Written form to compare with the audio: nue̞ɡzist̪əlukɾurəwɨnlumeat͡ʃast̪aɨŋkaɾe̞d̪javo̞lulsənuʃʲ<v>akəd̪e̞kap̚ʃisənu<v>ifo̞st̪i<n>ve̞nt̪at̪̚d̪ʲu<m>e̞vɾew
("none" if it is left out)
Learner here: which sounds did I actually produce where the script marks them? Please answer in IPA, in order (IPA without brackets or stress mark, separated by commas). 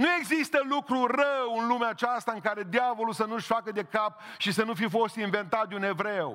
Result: f, f, n, n